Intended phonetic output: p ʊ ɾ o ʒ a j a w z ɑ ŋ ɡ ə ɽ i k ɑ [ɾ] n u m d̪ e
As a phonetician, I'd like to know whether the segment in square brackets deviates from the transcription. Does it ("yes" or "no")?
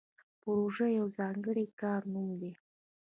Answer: no